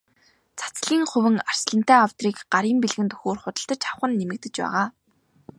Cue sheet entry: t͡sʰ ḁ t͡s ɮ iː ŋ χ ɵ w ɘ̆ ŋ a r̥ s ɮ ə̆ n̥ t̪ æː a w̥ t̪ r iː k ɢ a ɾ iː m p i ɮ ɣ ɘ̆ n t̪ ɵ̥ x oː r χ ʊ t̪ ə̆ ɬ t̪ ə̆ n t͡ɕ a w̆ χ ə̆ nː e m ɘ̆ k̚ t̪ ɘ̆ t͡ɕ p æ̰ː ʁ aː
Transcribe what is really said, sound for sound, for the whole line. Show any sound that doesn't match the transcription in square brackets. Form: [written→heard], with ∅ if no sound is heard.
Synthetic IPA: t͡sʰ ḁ t͡s ɮ iː ŋ χ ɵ w ɘ̆ ŋ a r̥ s ɮ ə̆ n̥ t̪ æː a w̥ t̪ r iː k ɢ a ɾ iː m p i ɮ ɣ ɘ̆ n t̪ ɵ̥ x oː r χ ʊ t̪ ə̆ ɬ t̪ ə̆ [n→∅] t͡ɕ a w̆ χ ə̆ nː e m ɘ̆ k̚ t̪ ɘ̆ t͡ɕ p æ̰ː ʁ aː